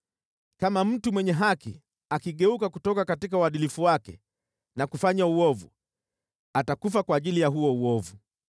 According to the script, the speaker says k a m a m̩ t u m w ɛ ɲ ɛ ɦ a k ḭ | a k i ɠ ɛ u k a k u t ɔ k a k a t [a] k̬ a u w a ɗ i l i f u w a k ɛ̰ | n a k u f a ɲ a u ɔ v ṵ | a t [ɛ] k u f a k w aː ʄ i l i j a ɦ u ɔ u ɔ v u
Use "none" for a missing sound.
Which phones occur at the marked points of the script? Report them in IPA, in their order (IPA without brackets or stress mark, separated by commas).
i, a